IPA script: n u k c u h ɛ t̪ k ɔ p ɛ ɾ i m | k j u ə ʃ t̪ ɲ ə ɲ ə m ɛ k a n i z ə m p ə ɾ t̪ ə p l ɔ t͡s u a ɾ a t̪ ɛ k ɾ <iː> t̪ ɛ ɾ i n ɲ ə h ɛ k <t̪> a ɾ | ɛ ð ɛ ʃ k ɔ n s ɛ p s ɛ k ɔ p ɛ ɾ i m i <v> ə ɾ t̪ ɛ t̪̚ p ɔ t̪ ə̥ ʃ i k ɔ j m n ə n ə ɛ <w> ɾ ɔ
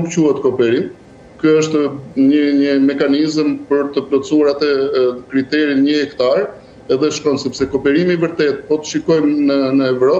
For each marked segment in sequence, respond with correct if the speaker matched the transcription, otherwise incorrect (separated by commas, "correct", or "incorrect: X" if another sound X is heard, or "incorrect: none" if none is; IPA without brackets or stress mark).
incorrect: i, correct, correct, incorrect: v